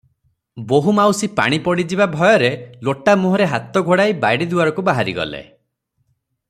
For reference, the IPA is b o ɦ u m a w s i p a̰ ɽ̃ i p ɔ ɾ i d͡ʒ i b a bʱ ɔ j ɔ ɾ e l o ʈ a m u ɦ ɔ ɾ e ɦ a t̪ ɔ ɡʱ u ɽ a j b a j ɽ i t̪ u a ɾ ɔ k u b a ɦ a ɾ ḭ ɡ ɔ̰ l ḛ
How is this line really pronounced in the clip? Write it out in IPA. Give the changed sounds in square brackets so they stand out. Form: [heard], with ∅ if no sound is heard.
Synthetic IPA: b o ɦ u m a w s i p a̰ ɽ̃ i p ɔ [ɽ] i d͡ʒ i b a bʱ ɔ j ɔ ɾ e l o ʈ a m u ɦ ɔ ɾ e ɦ a t̪ ɔ ɡʱ [o] ɽ a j b a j ɽ i [d̪] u a ɾ ɔ k u b a ɦ a ɾ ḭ ɡ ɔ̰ l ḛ